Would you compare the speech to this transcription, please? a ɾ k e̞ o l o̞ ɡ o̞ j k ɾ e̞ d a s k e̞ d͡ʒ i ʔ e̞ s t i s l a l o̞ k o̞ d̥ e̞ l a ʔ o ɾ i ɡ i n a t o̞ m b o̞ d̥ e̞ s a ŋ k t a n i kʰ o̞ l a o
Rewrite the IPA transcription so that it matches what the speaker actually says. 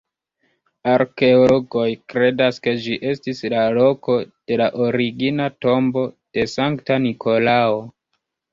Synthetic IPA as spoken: a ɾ k e̞ o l o̞ ɡ o̞ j k ɾ e̞ d a s k e̞ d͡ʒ i ʔ e̞ s t i s l a l o̞ k o̞ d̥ e̞ l a ʔ o ɾ i ɡ i n a t o̞ m b o̞ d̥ e̞ s a ŋ k t a n i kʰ o̞ l a o